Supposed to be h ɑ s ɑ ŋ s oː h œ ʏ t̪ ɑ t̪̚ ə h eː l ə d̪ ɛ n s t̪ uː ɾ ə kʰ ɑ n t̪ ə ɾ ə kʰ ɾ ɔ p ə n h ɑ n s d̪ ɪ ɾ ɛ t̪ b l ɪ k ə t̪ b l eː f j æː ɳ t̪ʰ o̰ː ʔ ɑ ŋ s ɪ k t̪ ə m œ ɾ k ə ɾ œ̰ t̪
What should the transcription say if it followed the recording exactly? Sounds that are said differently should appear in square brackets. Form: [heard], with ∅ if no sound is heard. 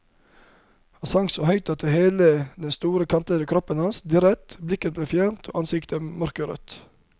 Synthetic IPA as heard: h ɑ s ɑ ŋ s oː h œ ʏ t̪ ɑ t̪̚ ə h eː l ə d̪ ɛ n s t̪ uː ɾ ə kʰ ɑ n t̪ ə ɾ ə kʰ ɾ ɔ p ə n h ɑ n s d̪ ɪ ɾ ɛ t̪ b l ɪ k ə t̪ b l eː f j æː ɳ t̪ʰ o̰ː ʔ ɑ [n] s ɪ k t̪ ə m œ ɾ k ə ɾ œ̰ t̪

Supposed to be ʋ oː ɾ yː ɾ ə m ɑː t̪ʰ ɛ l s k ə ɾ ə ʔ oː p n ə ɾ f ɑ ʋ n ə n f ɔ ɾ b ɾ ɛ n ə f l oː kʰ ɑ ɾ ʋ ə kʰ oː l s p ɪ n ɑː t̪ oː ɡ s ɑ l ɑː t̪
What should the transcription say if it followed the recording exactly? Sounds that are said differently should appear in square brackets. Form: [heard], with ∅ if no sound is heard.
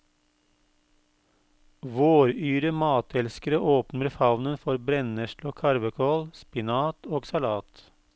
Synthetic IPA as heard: ʋ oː ɾ yː ɾ ə m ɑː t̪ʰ ɛ l s k ə ɾ ə ʔ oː p n ə ɾ f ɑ ʋ n ə n f ɔ ɾ b ɾ ɛ n ə [ʃ] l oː kʰ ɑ ɾ ʋ ə kʰ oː l s p ɪ n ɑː t̪ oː ɡ s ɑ l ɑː t̪

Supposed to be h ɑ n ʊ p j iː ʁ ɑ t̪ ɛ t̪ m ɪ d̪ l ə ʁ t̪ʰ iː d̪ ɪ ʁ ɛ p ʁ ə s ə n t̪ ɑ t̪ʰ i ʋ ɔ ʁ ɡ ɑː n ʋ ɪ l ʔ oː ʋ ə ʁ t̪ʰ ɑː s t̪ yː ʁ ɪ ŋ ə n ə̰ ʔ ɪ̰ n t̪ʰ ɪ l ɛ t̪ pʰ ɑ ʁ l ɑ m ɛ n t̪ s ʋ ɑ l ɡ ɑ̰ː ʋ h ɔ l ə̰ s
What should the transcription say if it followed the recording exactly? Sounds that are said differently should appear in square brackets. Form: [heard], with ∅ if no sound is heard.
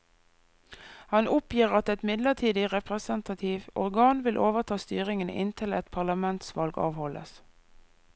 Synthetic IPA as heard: h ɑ n ʊ p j iː ʁ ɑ t̪ ɛ t̪ m ɪ d̪ l ə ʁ t̪ʰ iː d̪ ɪ ʁ ɛ p ʁ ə s ə n t̪ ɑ t̪ʰ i ʋ ɔ ʁ ɡ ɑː n ʋ ɪ l ʔ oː ʋ ə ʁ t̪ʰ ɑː s t̪ yː ʁ ɪ ŋ ə n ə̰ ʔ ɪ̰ n t̪ʰ ɪ l ɛ t̪ pʰ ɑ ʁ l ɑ m ɛ n t̪ s ʋ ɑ l ɡ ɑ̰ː ʋ h ɔ l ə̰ s

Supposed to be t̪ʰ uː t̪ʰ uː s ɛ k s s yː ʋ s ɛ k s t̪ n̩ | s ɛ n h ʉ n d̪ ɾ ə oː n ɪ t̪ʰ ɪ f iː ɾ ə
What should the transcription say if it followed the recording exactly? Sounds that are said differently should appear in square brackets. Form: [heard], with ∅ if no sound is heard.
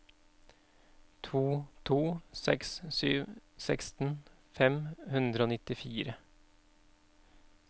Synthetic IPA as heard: t̪ʰ uː t̪ʰ uː s ɛ k s s yː ʋ s ɛ k s t̪ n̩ | [f] ɛ [m] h ʉ n d̪ ɾ ə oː n ɪ [t̪] ɪ f iː ɾ ə

